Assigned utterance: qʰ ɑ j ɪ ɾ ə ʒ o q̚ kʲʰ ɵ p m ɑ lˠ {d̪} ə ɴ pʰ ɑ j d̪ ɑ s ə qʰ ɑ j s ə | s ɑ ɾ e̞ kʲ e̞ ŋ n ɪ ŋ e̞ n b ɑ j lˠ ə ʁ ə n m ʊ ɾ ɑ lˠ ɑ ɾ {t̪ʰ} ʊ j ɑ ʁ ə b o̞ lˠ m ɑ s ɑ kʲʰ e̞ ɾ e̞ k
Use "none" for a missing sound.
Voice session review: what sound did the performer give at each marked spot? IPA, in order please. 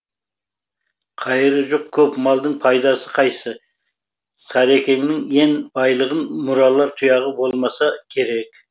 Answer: d̪, t̪ʰ

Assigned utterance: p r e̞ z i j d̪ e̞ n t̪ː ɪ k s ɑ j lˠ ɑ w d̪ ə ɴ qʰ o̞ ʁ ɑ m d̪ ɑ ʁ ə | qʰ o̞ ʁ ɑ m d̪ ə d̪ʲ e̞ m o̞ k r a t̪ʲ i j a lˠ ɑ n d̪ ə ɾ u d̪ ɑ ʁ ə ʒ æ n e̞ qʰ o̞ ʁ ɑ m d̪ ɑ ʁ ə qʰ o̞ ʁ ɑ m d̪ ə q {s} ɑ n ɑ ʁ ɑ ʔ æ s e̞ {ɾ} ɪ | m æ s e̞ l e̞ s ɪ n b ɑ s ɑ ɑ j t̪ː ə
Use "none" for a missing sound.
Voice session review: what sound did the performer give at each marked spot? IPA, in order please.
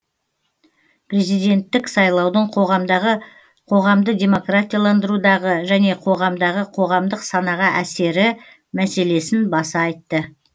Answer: s, ɾ

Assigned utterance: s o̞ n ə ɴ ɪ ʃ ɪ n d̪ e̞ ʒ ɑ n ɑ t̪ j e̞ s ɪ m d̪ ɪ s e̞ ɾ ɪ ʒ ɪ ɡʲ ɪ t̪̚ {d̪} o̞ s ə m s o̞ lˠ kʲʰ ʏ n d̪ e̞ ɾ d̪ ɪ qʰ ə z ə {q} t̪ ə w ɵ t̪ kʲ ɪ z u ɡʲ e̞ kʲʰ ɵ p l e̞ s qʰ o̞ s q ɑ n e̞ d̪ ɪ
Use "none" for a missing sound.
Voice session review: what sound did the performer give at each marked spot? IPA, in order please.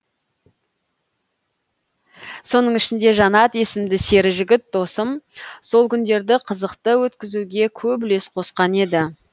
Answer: d̪, q

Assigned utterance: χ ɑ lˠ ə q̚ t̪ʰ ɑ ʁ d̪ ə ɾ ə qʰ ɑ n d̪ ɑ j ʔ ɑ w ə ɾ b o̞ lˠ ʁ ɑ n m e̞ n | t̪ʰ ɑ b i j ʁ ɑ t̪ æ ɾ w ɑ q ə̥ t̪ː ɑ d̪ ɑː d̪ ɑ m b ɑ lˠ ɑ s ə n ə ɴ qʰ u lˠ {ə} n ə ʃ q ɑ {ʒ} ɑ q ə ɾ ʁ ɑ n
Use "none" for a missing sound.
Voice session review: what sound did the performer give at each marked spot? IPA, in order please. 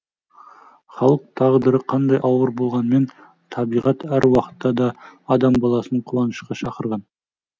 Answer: ɑ, ʃ

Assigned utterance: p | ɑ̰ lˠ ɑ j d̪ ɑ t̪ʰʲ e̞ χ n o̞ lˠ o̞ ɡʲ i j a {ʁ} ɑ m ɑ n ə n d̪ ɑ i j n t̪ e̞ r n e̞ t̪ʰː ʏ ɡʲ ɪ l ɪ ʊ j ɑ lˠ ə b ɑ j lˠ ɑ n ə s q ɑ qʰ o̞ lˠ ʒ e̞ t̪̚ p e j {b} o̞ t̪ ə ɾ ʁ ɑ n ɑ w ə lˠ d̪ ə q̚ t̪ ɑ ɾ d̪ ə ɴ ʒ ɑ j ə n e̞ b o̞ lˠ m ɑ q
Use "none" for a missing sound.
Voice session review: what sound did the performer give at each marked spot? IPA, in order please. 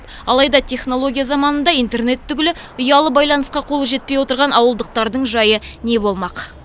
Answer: z, w

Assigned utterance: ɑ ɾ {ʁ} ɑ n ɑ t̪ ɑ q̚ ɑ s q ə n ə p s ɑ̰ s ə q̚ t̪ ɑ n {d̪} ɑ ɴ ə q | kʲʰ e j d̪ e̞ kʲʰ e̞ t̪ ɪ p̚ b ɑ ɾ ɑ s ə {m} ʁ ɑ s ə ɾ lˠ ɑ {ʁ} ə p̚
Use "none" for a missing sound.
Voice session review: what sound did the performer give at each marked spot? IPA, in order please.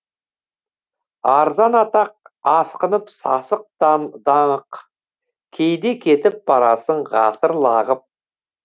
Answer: z, d̪, ɴ, ʁ

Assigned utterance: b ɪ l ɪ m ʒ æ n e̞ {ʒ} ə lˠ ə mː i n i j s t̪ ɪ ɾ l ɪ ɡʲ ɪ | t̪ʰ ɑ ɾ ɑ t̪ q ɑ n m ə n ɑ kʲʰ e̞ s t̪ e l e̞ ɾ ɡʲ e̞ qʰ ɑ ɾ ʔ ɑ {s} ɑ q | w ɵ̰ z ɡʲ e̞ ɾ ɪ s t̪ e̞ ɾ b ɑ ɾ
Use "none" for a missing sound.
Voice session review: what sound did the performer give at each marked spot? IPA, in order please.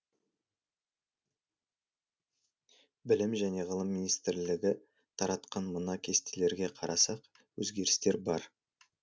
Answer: ʁ, s

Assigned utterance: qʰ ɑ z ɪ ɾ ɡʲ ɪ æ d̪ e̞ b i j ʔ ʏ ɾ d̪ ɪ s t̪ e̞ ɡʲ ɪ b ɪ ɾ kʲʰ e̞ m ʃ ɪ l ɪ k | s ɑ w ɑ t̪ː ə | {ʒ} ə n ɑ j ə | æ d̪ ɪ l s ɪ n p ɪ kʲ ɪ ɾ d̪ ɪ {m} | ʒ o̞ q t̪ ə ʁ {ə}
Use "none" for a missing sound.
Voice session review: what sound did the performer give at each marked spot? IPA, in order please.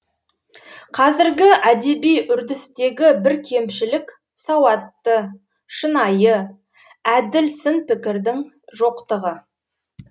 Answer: ʃ, ŋ, ə

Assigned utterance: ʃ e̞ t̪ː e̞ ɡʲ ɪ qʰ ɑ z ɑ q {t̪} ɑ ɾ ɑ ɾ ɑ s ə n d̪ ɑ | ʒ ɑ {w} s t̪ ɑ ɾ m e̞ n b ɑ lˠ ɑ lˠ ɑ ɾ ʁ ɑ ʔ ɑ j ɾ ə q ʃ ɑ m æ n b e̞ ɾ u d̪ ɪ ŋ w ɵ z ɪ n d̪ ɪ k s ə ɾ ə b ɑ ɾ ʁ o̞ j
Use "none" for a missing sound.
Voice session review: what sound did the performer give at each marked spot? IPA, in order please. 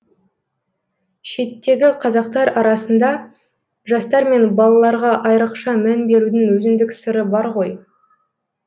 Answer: t̪, none

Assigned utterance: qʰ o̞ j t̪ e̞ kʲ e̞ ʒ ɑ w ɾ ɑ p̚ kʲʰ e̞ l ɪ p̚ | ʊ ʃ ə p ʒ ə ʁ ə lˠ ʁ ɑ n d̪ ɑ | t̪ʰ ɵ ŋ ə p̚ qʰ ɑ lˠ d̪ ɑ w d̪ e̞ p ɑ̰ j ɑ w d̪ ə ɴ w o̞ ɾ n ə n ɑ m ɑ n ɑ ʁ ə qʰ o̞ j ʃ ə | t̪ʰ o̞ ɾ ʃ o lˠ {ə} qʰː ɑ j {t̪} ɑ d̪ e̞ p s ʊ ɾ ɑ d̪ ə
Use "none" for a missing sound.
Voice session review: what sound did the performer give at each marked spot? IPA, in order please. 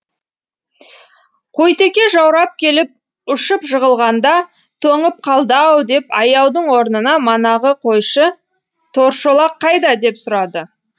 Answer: ɑ, d̪

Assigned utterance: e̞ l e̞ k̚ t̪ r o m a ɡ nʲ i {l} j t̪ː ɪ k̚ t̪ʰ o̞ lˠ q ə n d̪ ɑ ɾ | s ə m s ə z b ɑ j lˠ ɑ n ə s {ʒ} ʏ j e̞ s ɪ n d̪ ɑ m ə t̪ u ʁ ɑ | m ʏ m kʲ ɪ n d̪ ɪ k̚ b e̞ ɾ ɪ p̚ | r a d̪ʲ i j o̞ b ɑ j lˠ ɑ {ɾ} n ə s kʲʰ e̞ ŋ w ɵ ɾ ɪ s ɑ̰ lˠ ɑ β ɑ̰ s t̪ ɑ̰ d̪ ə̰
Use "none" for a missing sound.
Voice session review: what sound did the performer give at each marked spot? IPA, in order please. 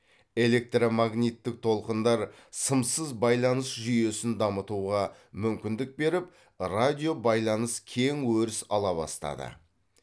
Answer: none, ʒ, none

